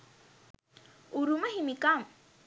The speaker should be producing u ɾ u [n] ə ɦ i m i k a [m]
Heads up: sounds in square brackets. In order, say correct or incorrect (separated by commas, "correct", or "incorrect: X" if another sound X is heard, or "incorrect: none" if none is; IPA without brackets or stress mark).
incorrect: m, correct